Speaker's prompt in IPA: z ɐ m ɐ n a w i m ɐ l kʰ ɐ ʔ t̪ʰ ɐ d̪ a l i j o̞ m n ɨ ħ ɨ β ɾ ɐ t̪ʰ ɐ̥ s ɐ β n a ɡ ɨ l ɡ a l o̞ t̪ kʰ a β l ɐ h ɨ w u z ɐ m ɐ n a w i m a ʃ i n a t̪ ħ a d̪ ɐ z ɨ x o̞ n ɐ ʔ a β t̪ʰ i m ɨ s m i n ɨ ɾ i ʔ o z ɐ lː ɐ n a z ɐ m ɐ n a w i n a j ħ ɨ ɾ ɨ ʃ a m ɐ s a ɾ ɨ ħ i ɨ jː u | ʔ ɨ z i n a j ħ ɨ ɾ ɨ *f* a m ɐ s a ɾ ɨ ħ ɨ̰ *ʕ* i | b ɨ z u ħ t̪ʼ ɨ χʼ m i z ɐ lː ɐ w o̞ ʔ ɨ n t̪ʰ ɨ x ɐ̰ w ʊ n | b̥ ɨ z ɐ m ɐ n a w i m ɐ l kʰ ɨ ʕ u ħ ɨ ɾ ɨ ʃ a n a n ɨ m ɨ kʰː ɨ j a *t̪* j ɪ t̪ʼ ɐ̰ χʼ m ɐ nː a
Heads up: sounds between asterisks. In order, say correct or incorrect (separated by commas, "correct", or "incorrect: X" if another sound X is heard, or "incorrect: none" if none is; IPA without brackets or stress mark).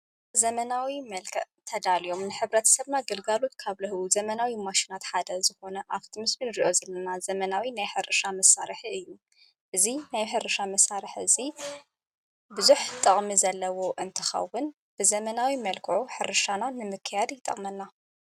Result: incorrect: ʃ, incorrect: z, incorrect: d̪